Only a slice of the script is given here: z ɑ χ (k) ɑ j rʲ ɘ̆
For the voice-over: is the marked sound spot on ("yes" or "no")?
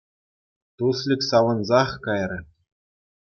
yes